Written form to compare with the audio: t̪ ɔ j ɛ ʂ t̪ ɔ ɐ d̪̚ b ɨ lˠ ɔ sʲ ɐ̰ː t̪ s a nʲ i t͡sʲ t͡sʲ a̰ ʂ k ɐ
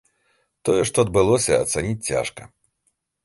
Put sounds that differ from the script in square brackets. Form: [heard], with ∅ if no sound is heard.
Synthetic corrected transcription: t̪ ɔ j ɛ ʂ t̪ ɔ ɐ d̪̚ b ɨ lˠ ɔ sʲ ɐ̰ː t̪ s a nʲ i t͡sʲ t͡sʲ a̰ ʂ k ɐ